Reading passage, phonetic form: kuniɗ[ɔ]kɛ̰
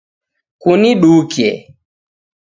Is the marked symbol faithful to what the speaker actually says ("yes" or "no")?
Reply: no